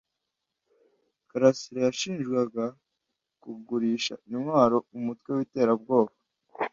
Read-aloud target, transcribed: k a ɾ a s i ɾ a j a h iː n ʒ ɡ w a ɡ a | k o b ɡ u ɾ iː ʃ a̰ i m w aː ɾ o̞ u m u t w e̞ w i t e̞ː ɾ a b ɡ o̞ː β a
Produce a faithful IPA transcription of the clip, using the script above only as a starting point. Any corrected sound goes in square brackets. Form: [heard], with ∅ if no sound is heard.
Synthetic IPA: k a ɾ a s i ɾ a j a [ʃ] iː n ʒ ɡ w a ɡ a | k [u] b ɡ u ɾ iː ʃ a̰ i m w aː ɾ o̞ u m u t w e̞ w i t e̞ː ɾ a b ɡ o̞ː β a